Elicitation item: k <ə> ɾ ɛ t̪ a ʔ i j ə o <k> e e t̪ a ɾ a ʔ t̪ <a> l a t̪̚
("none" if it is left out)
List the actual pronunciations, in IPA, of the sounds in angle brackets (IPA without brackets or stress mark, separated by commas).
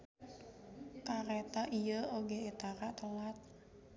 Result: a, ɡ, ə